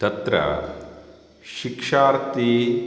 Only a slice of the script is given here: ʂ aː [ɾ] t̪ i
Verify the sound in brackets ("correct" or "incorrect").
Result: correct